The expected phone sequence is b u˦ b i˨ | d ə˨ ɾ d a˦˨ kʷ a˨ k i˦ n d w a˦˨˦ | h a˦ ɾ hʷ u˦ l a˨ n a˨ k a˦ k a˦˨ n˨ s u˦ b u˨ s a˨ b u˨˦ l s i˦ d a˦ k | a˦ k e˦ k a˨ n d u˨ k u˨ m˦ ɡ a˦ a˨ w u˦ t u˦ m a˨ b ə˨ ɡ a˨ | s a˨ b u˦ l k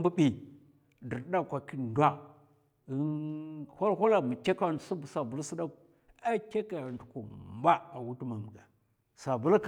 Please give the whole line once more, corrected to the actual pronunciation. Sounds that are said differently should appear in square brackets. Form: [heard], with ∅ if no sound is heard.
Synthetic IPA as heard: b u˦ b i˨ | d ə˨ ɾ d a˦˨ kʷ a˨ k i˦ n d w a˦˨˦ | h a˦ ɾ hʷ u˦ l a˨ [m] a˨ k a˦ k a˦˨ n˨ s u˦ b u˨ s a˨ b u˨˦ l s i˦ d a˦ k | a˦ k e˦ k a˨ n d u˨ k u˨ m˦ [b] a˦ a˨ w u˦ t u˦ m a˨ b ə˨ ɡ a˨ | s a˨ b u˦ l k